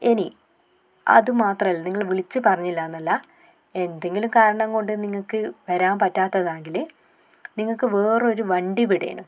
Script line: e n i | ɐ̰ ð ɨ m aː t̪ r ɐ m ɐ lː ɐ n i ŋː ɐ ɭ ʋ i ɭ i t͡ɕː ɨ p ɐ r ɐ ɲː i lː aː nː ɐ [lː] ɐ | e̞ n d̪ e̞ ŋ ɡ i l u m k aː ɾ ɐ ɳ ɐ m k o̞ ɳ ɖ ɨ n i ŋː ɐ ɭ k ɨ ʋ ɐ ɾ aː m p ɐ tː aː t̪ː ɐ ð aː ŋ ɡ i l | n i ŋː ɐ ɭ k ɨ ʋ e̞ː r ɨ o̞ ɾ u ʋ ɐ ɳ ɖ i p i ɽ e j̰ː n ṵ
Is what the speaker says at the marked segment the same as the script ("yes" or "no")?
yes